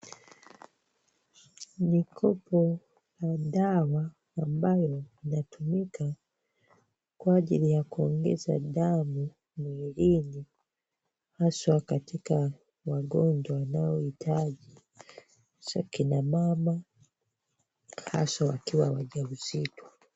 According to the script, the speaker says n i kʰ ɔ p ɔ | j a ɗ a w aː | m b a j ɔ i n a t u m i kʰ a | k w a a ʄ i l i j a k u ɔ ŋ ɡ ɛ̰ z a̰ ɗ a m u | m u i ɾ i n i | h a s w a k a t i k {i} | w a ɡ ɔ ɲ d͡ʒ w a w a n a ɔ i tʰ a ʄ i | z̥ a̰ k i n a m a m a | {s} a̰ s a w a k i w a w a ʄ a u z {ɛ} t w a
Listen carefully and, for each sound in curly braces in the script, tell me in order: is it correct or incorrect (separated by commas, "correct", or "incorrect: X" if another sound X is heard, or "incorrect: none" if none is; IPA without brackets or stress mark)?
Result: incorrect: a, incorrect: h, incorrect: i